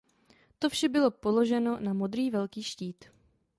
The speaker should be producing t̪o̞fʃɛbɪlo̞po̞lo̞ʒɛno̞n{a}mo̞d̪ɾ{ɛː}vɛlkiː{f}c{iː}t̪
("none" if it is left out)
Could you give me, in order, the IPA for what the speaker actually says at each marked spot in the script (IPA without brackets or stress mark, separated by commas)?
a, iː, ʃ, iː